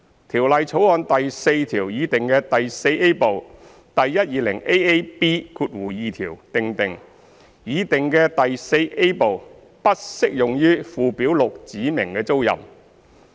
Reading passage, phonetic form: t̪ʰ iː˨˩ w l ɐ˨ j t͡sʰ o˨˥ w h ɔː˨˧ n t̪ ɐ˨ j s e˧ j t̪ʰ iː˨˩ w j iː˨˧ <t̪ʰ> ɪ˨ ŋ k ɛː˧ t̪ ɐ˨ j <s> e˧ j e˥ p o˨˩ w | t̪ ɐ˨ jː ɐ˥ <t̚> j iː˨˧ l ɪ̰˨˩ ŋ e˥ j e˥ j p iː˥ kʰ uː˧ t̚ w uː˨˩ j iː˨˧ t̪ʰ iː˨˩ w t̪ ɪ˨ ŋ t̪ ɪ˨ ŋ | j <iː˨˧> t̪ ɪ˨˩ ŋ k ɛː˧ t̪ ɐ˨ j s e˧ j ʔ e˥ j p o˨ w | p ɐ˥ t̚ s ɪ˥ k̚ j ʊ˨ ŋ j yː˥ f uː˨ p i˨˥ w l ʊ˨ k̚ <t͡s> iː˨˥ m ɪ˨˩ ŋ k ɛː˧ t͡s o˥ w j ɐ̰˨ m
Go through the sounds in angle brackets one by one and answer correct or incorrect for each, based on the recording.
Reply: incorrect, correct, correct, correct, correct

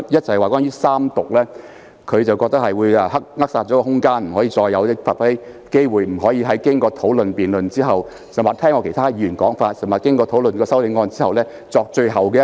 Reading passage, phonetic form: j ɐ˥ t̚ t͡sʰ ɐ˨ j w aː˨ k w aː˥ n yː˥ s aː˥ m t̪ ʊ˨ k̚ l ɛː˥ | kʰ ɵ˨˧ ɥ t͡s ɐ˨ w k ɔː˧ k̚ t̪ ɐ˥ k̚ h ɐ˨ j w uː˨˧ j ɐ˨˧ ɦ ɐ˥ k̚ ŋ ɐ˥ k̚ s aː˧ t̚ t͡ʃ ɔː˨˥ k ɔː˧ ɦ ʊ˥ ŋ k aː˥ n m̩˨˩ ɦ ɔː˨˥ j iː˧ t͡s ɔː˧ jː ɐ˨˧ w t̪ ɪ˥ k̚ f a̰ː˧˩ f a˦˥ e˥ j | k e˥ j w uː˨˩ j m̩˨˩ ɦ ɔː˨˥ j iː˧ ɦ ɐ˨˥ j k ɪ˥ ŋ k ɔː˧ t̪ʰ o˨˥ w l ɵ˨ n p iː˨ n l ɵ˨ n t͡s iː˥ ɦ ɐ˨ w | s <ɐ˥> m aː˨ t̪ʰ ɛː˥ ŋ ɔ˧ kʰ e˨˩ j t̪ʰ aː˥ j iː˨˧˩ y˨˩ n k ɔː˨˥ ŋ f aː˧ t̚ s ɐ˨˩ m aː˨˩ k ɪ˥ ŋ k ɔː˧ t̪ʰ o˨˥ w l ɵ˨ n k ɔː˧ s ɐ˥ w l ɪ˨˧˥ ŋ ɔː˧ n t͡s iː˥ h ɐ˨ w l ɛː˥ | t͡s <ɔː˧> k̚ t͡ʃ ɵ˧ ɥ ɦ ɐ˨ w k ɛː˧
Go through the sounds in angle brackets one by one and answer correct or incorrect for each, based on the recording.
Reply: incorrect, correct

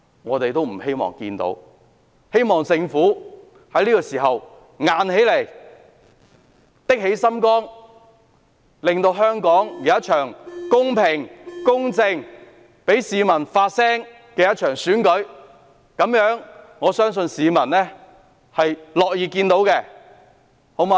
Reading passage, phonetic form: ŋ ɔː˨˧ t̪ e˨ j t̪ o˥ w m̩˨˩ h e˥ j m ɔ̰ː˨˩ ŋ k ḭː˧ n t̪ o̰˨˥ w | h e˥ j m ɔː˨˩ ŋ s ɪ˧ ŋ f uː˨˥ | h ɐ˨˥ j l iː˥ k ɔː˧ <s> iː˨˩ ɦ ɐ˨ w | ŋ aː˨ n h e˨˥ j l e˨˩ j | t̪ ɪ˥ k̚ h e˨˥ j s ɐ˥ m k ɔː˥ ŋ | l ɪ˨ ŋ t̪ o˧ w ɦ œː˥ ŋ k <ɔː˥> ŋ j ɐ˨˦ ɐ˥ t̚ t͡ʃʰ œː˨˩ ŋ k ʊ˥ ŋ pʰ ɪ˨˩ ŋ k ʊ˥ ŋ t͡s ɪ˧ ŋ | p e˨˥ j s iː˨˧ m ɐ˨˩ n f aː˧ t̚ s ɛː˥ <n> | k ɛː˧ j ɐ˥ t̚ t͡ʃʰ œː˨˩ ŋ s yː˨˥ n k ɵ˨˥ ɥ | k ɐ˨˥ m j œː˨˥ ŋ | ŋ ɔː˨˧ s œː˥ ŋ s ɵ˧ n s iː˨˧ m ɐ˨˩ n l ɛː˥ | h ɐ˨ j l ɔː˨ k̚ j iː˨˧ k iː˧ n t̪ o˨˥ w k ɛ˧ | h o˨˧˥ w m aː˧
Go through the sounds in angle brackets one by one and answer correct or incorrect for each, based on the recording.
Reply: correct, incorrect, incorrect

